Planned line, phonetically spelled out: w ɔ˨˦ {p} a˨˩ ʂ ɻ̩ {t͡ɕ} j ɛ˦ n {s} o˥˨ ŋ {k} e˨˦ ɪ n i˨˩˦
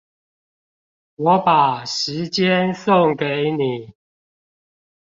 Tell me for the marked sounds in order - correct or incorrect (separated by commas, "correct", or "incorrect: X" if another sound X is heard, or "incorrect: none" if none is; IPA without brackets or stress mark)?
correct, correct, correct, correct